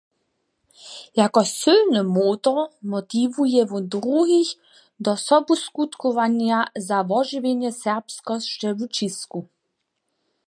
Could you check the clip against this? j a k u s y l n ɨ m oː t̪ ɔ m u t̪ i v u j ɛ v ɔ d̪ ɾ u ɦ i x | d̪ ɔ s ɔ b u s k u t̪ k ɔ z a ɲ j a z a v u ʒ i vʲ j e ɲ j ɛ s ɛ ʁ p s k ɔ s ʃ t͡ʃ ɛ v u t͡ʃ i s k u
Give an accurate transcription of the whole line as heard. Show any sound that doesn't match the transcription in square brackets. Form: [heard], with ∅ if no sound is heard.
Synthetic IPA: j a k [ɔ] s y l n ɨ m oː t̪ ɔ m [ɔ] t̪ i v u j ɛ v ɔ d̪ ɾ u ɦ i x | d̪ ɔ s ɔ b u s k u t̪ k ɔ [v] a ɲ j a z a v [ɔ] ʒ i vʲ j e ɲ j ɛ s ɛ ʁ p s k ɔ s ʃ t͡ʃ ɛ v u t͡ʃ i s k u